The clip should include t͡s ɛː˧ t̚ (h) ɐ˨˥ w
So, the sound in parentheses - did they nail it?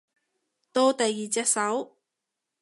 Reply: no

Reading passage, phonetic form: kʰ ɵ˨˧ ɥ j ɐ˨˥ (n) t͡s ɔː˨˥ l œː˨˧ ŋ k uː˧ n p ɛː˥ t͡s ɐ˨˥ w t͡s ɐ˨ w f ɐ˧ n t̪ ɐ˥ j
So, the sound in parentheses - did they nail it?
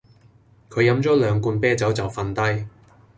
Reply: no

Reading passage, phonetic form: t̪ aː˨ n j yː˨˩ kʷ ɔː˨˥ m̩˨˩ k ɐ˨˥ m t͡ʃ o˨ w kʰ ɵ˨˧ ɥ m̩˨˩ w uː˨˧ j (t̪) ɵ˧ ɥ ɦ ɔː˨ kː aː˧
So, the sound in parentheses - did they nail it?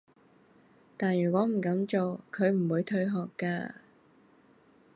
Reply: no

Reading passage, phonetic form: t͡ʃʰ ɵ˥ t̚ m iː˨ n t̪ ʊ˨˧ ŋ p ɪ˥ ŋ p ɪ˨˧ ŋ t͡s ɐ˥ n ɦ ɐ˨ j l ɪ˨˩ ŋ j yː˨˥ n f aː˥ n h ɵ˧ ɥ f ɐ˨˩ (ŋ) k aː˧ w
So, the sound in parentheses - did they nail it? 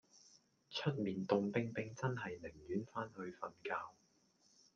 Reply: no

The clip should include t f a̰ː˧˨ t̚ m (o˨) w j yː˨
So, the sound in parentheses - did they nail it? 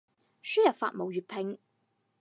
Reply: yes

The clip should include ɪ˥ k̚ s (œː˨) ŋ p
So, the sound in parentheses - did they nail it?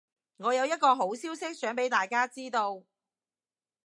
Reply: no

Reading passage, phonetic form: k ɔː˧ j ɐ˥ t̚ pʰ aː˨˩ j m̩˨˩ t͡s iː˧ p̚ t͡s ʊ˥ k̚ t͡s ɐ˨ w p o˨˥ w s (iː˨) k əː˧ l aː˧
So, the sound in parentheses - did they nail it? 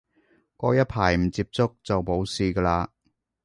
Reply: yes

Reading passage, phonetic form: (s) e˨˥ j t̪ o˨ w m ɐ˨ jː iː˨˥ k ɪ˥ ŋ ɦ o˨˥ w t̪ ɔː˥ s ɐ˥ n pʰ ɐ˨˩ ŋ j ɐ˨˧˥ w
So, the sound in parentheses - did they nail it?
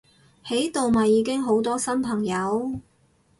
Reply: no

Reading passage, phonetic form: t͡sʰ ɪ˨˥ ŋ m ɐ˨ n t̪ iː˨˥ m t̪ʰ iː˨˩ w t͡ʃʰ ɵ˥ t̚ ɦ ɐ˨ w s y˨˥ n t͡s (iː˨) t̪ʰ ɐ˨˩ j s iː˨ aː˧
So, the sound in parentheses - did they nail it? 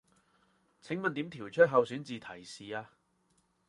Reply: yes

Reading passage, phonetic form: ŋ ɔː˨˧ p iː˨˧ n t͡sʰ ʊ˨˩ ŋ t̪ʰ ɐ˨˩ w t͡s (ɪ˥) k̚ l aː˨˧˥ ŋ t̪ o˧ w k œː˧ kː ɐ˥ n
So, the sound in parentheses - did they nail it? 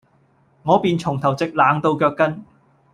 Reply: no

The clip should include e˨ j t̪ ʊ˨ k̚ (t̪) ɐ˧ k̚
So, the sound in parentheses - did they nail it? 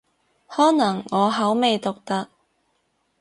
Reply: yes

